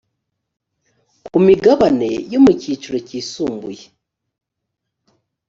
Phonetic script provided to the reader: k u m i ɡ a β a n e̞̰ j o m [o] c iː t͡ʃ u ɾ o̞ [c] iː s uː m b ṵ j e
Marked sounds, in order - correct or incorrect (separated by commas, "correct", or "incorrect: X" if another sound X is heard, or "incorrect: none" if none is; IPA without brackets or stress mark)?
incorrect: u, correct